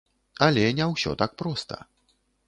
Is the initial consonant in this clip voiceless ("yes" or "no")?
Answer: no